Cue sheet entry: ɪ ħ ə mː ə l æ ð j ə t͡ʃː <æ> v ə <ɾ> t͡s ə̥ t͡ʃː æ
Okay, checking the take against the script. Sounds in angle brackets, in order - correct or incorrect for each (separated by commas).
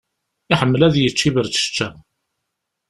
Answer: incorrect, correct